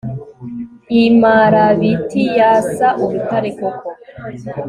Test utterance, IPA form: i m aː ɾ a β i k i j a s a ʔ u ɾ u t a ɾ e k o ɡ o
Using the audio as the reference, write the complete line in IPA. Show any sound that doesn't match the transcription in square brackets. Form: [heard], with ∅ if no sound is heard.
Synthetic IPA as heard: i m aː ɾ a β i [t] i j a s a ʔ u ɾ u t a ɾ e k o [k] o

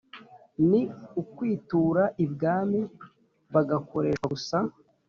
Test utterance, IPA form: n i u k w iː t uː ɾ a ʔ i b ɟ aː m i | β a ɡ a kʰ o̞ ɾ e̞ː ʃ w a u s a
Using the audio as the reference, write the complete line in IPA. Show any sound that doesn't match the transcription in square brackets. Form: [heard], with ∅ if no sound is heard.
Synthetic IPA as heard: n i u k w iː t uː ɾ a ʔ i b [ɡ] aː m i | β a ɡ a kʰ o̞ ɾ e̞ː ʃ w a u s a

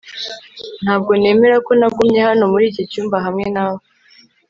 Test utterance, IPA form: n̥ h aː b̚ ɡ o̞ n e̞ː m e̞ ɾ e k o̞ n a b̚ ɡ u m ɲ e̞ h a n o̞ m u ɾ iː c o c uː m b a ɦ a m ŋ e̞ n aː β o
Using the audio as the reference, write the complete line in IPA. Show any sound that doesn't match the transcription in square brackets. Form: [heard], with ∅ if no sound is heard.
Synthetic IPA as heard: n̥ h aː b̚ ɡ o̞ n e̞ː m e̞ ɾ [a] k o̞ n a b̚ ɡ u m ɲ e̞ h a n o̞ m u ɾ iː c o c uː m b a ɦ a m ŋ e̞ n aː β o

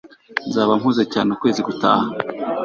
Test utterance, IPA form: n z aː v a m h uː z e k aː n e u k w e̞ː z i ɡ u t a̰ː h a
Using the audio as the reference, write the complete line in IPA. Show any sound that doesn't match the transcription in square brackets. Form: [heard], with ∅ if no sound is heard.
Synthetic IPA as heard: n z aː [β] a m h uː z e [c] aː n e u k w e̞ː z i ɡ u t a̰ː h a

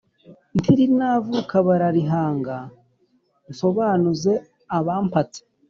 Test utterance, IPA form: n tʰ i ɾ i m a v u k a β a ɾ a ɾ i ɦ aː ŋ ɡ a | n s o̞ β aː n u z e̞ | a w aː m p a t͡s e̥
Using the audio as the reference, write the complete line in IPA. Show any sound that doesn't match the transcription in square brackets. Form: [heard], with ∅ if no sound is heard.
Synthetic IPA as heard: n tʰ i ɾ i [n] a v u k a β a ɾ a ɾ i ɦ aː ŋ ɡ a | n s o̞ β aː n u z e̞ | a [β] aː m p a t͡s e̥

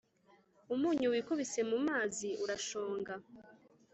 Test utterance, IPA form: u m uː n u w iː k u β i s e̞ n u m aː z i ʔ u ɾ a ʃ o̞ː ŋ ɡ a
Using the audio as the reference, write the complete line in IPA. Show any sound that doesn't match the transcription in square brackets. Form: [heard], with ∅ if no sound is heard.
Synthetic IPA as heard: u m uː [ɲ] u w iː k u β i s e̞ [m] u m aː z i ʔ u ɾ a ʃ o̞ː ŋ ɡ a

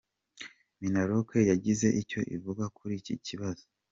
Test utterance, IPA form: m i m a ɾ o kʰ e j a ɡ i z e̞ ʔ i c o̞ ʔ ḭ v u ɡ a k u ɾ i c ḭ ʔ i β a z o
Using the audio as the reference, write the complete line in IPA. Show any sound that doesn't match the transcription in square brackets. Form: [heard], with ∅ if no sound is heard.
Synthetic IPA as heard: m i [n] a ɾ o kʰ e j a [ɟ] i z e̞ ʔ i c o̞ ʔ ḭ v u ɡ a k u ɾ i c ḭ [c] i β a z o

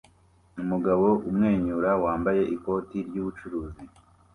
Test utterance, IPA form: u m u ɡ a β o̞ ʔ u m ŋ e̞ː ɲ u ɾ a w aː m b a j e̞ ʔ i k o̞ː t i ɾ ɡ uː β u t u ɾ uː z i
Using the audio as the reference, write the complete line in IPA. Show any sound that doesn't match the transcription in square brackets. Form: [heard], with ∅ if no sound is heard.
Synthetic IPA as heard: u m u ɡ a β o̞ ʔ u m ŋ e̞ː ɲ u ɾ a w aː m b a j e̞ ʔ i k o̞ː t i ɾ [ɟ] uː β u [t͡ʃ] u ɾ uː z i

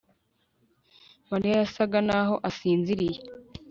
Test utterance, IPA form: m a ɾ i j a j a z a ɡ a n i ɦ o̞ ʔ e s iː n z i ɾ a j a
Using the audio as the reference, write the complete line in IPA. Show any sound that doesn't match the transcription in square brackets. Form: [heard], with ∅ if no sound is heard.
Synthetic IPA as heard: m a ɾ i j a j a [s] a ɡ a n [a] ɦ o̞ ʔ [a] s iː n z i ɾ [i] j [e]

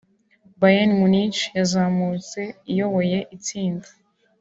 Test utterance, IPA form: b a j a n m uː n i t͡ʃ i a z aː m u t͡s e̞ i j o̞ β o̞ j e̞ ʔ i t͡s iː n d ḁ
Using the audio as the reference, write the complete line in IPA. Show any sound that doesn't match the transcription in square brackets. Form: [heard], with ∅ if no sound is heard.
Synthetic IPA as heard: b a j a n m [u] n i t͡ʃ [j] a z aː m u t͡s e̞ i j o̞ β o̞ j e̞ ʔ i t͡s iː n d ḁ

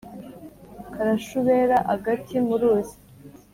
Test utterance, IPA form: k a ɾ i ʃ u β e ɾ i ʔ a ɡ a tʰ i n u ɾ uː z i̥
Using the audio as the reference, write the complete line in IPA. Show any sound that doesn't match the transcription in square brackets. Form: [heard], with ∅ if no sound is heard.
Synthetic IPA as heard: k a ɾ [a] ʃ u β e ɾ [a] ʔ a ɡ a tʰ i [m] u ɾ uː z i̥

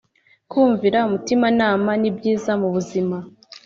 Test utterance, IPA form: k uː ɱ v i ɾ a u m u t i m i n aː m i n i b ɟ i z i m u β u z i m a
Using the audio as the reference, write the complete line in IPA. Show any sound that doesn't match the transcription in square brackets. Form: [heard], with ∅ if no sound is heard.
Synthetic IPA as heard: k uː ɱ v i ɾ a u m u t i m [a] n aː m [a] n i b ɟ [iː] z [a] m u β u z i m a

